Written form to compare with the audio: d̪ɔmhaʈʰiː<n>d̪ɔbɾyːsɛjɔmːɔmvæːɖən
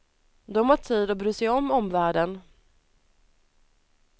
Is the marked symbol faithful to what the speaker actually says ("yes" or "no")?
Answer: no